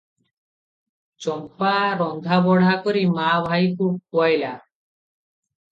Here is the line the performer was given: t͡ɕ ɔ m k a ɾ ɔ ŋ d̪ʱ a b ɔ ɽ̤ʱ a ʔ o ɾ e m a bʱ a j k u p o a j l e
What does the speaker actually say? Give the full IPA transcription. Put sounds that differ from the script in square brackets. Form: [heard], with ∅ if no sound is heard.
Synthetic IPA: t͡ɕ ɔ m [p] a ɾ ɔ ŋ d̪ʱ a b ɔ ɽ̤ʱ a [k] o ɾ [i] m a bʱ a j k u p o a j l [a]